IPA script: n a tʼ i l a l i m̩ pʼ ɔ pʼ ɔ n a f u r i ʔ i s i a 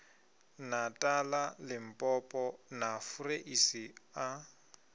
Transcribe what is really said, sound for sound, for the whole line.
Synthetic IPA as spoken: n a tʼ a l a l ɪ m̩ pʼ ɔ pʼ ɔ n a f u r e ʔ i s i a